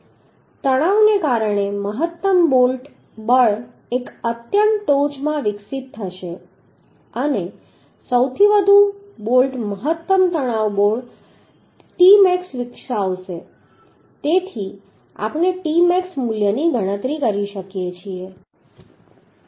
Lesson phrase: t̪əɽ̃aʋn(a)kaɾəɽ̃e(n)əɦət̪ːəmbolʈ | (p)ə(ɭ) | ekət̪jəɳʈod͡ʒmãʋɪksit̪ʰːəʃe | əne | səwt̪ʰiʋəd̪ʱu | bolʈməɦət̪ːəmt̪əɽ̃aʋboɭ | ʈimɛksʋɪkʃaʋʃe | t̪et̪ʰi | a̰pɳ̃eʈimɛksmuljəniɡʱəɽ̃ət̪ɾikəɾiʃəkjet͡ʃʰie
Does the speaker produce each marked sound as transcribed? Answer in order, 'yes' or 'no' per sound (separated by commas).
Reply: no, no, no, yes